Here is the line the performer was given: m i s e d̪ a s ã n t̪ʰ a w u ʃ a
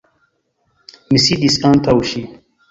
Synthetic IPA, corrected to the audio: m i s i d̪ i s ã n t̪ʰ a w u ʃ i